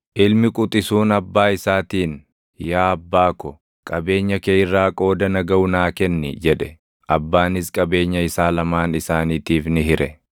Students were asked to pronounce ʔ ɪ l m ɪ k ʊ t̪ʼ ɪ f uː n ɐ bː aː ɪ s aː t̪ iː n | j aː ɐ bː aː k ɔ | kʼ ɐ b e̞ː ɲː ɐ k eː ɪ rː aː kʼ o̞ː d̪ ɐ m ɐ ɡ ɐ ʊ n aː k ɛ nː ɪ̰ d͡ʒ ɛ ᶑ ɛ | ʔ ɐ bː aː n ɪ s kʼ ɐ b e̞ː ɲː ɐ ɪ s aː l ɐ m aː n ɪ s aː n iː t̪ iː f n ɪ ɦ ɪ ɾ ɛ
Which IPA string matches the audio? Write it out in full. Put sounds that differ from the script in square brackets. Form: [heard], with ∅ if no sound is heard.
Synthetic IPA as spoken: ʔ ɪ l m ɪ [kʼ] ʊ t̪ʼ ɪ [s] uː n ɐ bː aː ɪ s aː t̪ iː n | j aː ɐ bː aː k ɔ | kʼ ɐ b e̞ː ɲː ɐ k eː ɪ rː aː kʼ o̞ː d̪ ɐ [n] ɐ ɡ ɐ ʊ n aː k ɛ nː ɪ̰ d͡ʒ ɛ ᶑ ɛ | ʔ ɐ bː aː n ɪ s kʼ ɐ b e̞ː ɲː ɐ ɪ s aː l ɐ m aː n ɪ s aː n iː t̪ iː f n ɪ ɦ ɪ ɾ ɛ